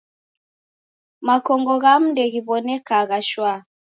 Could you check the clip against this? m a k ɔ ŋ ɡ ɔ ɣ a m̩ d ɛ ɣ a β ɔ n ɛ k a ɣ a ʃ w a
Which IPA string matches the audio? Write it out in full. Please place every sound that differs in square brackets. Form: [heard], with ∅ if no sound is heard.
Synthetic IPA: m a k ɔ ŋ ɡ ɔ ɣ a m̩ d ɛ ɣ [i] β ɔ n ɛ k a ɣ a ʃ w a